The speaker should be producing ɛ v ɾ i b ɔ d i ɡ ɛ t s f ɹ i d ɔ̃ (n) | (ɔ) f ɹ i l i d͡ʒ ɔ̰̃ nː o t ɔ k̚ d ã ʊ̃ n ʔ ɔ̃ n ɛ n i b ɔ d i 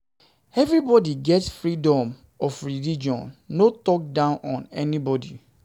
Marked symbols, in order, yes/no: no, yes

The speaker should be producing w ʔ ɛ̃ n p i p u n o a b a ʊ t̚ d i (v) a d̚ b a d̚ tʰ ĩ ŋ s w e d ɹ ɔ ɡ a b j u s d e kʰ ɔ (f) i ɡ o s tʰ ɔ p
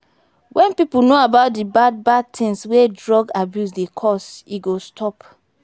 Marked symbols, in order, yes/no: no, no

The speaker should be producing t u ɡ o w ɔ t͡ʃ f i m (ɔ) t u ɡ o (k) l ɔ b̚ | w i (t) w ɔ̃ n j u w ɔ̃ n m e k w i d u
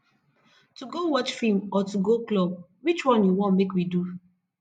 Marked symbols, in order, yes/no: yes, yes, no

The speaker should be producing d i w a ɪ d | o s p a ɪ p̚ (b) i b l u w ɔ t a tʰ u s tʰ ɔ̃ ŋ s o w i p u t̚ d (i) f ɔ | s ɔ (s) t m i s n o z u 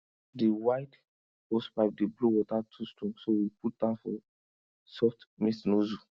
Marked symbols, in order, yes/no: no, no, no

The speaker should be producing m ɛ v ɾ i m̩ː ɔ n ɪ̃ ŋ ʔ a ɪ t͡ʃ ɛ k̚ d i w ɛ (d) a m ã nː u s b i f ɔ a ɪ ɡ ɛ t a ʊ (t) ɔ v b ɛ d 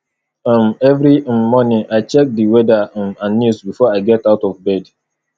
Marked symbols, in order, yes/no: yes, yes

